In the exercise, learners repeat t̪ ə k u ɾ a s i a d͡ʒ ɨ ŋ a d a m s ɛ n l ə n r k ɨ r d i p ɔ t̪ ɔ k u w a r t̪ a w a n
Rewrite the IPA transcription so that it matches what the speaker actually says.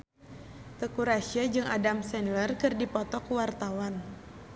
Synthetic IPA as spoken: t̪ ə k u ɾ a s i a d͡ʒ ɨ ŋ a d a m s ɛ n l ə r k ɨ r d i p ɔ t̪ ɔ k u w a r t̪ a w a n